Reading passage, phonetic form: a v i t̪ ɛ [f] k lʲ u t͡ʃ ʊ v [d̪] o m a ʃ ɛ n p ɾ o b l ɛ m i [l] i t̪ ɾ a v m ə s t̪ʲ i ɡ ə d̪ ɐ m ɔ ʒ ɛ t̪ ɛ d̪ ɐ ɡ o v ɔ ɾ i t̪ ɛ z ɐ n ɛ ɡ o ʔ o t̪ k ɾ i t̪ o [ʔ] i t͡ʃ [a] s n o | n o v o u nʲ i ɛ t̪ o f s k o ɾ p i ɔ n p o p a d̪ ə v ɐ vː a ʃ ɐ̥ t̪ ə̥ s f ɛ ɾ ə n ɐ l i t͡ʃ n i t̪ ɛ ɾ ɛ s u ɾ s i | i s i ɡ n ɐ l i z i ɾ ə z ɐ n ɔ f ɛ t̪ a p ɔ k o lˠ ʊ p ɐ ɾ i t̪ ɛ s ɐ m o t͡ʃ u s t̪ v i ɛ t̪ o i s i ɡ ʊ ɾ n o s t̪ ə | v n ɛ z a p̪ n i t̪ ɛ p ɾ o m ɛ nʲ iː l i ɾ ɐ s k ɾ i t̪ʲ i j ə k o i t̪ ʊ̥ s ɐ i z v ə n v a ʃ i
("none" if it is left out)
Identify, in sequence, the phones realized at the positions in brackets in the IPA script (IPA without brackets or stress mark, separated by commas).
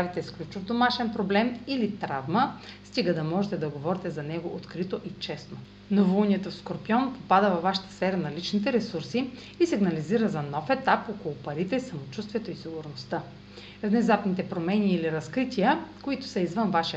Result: s, d̪, l, ʔ, ɛ